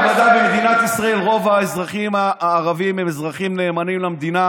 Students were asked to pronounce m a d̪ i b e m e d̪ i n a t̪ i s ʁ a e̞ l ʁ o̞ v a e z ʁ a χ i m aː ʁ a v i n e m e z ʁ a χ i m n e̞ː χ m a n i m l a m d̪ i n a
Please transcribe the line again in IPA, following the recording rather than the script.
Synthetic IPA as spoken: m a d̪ a b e m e d̪ i n a t̪ i s ʁ a e̞ l ʁ o̞ v a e z ʁ a χ i m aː ʁ a v i m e m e z ʁ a χ i m n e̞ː m a n i m l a m d̪ i n a

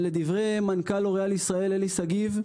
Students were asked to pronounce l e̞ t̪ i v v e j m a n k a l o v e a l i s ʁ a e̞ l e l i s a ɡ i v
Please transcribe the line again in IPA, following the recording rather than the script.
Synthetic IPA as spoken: l e̞ d̪ i v ʁ e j m a n k a l o ʁ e a l i s ʁ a e̞ l e l i s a ɡ i v

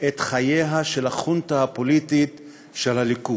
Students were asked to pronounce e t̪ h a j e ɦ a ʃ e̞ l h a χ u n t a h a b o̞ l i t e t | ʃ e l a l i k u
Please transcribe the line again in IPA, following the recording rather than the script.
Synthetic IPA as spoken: e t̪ χ a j e ɦ a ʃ e̞ l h a χ u n t a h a p o̞ l i t i t | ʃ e l a l i k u

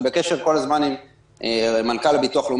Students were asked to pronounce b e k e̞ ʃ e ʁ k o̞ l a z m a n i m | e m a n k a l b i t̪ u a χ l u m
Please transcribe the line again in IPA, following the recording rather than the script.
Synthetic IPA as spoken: b e k e̞ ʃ e ʁ k o̞ l a z m a n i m | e m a n k a l b i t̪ u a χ l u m

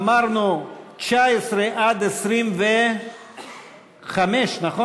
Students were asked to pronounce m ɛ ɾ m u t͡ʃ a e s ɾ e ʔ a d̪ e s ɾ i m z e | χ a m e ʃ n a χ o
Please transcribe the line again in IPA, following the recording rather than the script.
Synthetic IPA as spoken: m a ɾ n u t͡ʃ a e s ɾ e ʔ a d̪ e s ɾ i m v e | χ a m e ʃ n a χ o

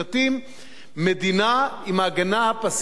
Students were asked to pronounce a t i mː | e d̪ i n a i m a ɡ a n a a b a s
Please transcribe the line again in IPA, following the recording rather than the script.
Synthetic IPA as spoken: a t i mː | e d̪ i n a i m a ɡ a n a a p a s

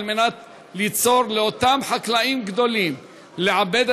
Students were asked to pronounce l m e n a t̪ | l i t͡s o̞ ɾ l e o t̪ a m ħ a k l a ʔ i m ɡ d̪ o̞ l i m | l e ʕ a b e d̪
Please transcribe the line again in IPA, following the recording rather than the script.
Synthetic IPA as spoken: l m e n a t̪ | l i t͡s o̞ ɾ l e o t̪ a m ħ a k l a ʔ i m ɡ d̪ o̞ l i m | l e ʕ a b e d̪

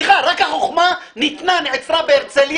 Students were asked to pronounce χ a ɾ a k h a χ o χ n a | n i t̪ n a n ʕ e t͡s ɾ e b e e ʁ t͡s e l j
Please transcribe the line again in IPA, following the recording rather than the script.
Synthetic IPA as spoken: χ a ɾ a k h a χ o χ m a | n i t̪ n a n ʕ e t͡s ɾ a b e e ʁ t͡s e l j

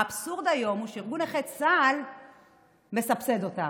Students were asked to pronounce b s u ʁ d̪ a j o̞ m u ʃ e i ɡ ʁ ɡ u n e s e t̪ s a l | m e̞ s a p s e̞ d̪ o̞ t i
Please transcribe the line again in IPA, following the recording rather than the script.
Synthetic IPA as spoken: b s u ʁ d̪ a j o̞ m u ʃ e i ʁ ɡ u n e χ e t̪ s a l | m e̞ s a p s e̞ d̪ o̞ t a

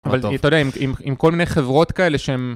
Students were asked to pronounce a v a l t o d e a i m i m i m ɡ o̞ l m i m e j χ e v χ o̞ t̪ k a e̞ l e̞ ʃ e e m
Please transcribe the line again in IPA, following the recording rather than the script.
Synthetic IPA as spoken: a v a l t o d e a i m i m i m k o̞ l m i n e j χ e v ʁ o̞ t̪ k a e̞ l e̞ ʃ e e m

